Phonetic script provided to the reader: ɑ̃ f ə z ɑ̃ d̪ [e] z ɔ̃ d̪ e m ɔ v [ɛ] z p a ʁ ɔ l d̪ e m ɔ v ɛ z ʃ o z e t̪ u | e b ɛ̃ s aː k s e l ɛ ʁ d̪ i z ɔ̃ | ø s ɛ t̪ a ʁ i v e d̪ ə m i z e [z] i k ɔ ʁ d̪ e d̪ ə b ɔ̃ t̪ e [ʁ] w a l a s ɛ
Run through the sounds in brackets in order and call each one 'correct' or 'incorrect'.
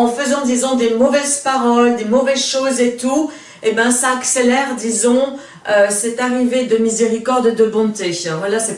incorrect: i, correct, incorrect: ʁ, incorrect: v

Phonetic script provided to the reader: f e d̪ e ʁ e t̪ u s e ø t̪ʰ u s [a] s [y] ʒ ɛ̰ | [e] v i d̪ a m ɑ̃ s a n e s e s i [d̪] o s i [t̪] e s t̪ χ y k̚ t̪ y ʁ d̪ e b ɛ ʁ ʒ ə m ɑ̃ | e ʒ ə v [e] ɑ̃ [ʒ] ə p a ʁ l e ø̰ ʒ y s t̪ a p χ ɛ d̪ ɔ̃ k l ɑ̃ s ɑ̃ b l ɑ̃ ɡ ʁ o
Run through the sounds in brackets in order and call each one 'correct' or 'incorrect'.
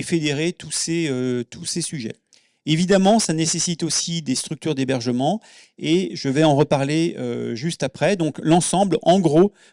incorrect: e, correct, correct, incorrect: t̪, incorrect: d̪, incorrect: ɛ, incorrect: ʁ

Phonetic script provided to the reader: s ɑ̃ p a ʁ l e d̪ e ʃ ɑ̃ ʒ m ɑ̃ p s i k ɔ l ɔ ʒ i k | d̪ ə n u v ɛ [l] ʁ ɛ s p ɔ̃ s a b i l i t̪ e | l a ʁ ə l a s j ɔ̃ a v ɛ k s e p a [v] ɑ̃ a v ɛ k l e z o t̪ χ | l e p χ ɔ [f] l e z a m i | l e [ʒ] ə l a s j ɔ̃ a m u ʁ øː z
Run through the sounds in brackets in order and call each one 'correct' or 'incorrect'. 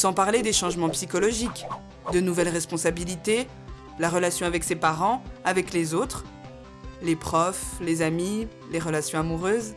correct, incorrect: ʁ, correct, incorrect: ʁ

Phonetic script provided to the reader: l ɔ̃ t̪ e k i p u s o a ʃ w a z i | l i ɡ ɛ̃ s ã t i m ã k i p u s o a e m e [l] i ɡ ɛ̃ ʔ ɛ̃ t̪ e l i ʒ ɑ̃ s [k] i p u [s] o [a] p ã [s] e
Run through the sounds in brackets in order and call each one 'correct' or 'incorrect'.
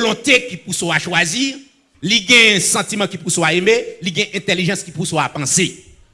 correct, correct, correct, correct, correct

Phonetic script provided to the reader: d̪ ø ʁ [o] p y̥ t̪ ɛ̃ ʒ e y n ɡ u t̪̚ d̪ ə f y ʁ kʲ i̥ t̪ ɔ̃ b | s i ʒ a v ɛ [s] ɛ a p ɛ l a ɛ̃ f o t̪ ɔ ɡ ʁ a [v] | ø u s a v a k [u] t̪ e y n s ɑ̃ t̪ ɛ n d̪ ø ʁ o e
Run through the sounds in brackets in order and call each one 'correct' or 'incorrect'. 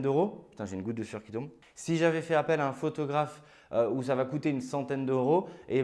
correct, incorrect: f, incorrect: f, correct

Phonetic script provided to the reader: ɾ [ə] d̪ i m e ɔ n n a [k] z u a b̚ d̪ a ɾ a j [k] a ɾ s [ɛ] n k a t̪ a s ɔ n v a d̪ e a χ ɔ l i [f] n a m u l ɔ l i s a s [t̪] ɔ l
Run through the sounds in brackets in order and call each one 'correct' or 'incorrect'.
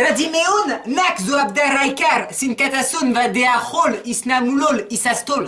incorrect: a, correct, correct, incorrect: i, incorrect: s, correct

